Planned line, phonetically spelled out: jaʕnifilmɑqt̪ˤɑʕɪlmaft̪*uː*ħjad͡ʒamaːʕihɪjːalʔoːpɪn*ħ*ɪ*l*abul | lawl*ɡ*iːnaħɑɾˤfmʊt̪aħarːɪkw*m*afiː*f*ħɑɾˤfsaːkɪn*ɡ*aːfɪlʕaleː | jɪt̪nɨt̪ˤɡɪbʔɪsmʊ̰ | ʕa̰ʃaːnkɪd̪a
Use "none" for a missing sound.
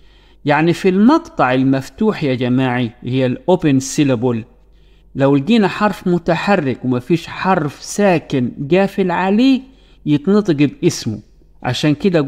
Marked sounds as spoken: uː, s, l, ɡ, m, ʃ, ɡ

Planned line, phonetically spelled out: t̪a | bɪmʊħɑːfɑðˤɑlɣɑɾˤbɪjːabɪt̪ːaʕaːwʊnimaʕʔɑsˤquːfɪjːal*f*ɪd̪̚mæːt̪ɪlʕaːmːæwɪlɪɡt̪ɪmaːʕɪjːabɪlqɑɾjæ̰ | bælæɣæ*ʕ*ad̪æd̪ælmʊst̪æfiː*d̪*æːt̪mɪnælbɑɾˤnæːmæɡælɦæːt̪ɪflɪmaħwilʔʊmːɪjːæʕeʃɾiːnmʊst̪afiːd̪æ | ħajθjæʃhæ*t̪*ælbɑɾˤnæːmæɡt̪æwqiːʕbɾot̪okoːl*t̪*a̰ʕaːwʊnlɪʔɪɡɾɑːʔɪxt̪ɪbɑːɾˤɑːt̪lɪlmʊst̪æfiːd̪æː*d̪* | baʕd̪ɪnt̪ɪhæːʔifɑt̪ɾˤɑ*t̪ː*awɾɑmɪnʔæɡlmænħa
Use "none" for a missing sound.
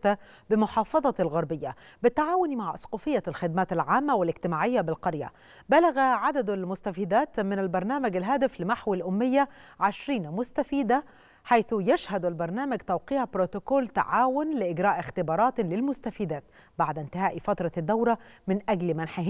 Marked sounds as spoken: x, ʕ, d̪, d̪, t̪, t̪, d̪ː

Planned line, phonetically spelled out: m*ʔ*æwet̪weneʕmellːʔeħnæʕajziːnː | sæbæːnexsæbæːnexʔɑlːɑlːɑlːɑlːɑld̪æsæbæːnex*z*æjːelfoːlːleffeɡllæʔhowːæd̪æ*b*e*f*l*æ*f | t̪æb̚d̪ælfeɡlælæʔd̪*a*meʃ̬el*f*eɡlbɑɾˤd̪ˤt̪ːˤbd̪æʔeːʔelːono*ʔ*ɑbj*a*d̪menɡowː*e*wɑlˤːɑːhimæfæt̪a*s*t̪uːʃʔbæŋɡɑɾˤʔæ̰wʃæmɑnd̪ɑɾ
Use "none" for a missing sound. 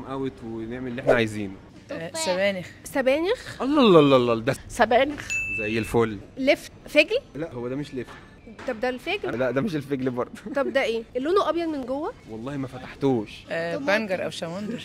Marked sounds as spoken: ʔ, z, m, ʃ, e, æ, f, ʔ, ɑ, æ, ħ

